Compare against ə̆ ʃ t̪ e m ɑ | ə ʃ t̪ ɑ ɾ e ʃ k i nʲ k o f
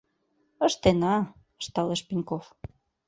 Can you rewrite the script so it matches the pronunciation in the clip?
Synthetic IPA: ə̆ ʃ t̪ e n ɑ | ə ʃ t̪ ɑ l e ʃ p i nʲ k o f